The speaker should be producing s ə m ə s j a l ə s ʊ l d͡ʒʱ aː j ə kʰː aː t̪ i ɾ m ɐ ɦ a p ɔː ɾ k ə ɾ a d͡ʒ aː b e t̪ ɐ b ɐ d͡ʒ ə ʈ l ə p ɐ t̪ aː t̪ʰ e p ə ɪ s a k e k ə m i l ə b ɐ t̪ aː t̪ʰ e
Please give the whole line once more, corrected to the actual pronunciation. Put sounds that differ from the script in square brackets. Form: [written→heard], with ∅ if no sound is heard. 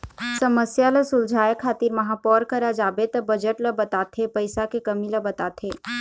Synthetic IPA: s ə m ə s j a l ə s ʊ l d͡ʒʱ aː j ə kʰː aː t̪ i ɾ m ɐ ɦ a p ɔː ɾ k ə ɾ a d͡ʒ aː b e t̪ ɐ b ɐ d͡ʒ ə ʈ l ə [p→b] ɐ t̪ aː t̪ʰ e p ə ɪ s a k e k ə m i l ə b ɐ t̪ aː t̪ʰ e